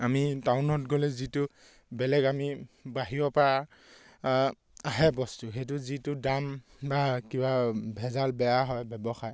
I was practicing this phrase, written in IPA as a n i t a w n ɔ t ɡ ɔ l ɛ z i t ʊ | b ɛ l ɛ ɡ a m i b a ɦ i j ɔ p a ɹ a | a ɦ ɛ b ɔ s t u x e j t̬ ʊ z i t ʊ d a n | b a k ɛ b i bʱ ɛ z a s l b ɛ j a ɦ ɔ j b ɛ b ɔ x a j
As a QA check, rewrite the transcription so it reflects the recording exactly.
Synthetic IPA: a m i t a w n ɔ t ɡ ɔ l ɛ z i t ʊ | b ɛ l ɛ ɡ a m i b a ɦ i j ɔ p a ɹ a | a ɦ ɛ b ɔ s t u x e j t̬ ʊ z i t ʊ d a m | b a k i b a bʱ ɛ z a l b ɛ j a ɦ ɔ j b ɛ b ɔ x a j